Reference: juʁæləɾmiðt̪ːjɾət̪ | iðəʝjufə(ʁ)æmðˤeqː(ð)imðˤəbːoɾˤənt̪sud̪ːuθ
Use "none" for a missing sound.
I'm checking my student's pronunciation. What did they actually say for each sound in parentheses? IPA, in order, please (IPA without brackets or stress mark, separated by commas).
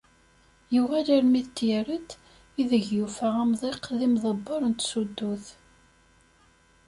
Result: ʁ, ð